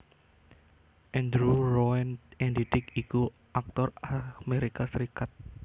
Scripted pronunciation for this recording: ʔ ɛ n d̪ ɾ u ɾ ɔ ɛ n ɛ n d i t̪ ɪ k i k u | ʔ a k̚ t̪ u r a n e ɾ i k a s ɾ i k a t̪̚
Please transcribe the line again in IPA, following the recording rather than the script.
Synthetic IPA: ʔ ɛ n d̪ ɾ u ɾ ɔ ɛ n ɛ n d i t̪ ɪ k i k u | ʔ a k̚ t̪ ɔ r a m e ɾ i k a s ɾ i k a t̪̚